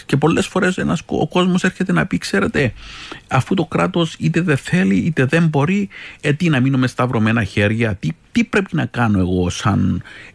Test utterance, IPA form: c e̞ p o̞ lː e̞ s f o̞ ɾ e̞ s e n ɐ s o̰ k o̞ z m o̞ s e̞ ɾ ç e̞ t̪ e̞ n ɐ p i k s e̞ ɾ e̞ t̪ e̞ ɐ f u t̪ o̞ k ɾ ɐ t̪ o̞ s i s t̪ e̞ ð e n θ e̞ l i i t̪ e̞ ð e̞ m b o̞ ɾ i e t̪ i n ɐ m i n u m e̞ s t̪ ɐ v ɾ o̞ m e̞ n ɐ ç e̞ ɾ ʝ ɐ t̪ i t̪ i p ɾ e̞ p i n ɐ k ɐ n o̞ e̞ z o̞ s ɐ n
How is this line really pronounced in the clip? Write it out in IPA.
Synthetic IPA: c e̞ p o̞ lː e̞ s f o̞ ɾ e̞ s e n ɐ s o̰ k o̞ z m o̞ s e̞ ɾ ç e̞ t̪ e̞ n ɐ p i k s e̞ ɾ e̞ t̪ e̞ ɐ f u t̪ o̞ k ɾ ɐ t̪ o̞ s i t̪ e̞ ð e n θ e̞ l i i t̪ e̞ ð e̞ m b o̞ ɾ i e t̪ i n ɐ m i n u m e̞ s t̪ ɐ v ɾ o̞ m e̞ n ɐ ç e̞ ɾ ʝ ɐ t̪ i t̪ i p ɾ e̞ p i n ɐ k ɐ n o̞ e̞ ɣ o̞ s ɐ n